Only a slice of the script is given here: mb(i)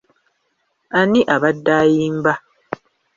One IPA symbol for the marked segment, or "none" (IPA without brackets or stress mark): a